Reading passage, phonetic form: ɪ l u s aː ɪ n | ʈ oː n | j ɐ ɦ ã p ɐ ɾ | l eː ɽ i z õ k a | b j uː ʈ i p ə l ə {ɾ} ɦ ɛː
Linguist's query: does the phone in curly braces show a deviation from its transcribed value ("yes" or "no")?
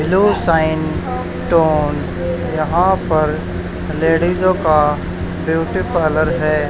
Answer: no